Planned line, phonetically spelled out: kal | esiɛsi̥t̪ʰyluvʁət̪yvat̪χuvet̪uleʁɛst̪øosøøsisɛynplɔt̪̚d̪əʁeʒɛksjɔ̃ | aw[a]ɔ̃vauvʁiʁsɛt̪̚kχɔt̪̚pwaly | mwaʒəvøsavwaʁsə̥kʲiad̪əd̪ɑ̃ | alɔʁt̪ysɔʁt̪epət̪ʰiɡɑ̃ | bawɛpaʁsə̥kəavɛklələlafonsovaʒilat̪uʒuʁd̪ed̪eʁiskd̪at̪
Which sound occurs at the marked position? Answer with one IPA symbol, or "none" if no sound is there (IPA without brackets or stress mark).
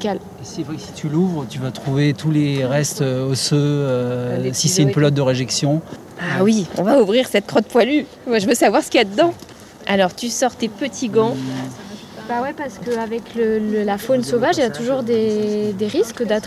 i